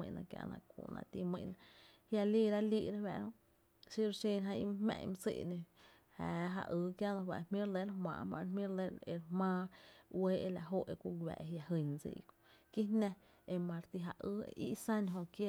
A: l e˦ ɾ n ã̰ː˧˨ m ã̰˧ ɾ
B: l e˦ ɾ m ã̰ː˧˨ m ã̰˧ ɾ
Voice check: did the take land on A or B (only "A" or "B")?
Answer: B